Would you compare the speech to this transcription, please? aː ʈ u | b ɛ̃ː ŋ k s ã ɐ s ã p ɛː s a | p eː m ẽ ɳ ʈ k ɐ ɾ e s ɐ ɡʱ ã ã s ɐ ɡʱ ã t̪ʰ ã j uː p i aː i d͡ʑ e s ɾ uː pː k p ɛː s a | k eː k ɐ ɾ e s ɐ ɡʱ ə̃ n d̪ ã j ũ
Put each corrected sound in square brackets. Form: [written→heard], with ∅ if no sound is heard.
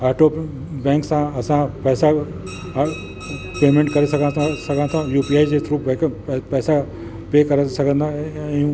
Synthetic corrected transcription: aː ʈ [u→o] | b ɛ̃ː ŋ k s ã ɐ s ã p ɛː s a | p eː m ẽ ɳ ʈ k ɐ ɾ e s ɐ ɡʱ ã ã s ɐ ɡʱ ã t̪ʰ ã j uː p i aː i d͡ʑ e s ɾ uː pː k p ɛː s a | [k→p] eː k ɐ ɾ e s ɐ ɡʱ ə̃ n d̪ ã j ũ